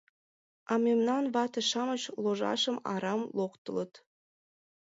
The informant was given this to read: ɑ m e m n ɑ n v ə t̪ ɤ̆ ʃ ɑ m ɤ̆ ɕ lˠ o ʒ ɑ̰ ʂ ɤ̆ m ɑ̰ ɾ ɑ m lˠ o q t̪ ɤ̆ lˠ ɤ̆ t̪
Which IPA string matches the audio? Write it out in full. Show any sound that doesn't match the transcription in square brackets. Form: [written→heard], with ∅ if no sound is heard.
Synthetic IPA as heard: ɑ m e m n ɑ n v [ə→ɑ] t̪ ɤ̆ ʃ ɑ m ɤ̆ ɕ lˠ o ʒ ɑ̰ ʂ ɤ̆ m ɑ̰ ɾ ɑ m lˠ o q t̪ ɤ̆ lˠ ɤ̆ t̪